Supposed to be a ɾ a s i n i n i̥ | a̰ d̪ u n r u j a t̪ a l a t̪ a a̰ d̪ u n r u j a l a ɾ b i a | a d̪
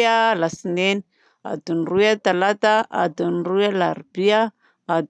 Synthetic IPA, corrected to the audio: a l a s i n e n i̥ | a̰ d̪ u n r u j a t̪ a l a t̪ a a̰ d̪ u n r u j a l a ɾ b i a | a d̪